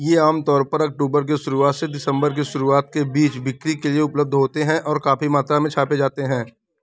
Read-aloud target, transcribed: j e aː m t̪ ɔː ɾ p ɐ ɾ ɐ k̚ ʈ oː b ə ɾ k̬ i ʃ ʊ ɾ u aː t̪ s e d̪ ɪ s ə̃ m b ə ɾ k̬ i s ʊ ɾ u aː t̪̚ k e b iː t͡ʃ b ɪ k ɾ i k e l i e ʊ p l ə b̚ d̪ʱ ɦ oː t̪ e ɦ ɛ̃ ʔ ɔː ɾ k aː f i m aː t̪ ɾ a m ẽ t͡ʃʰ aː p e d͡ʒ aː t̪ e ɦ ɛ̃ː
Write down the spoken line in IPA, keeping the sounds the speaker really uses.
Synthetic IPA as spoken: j e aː m t̪ ɔː ɾ p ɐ ɾ ɐ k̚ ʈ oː b ə ɾ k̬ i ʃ ʊ ɾ u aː t̪ s e d̪ ɪ s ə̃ m b ə ɾ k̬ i ʃ ʊ ɾ u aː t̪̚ k e b iː t͡ʃ b ɪ k ɾ i k e l i e ʊ p l ə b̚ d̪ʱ ɦ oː t̪ e ɦ ɛ̃ ʔ ɔː ɾ k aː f i m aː t̪ ɾ a m ẽ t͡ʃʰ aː p e d͡ʒ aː t̪ e ɦ ɛ̃ː